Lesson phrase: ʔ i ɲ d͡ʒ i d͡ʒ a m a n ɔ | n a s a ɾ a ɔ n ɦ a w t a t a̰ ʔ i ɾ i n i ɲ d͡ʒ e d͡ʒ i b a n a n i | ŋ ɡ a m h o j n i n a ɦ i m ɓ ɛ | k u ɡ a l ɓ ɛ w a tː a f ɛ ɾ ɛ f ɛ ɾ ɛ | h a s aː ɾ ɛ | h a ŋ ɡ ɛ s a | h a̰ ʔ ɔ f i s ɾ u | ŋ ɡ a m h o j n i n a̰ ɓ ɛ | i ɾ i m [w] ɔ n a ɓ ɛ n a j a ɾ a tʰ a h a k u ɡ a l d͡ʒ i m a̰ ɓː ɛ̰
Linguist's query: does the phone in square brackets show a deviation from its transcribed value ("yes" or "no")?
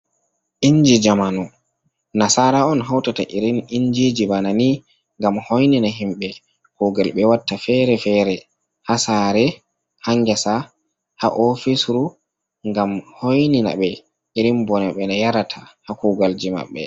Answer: yes